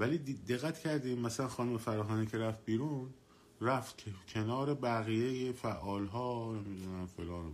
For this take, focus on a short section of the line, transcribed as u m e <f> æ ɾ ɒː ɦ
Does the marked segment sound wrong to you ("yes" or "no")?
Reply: no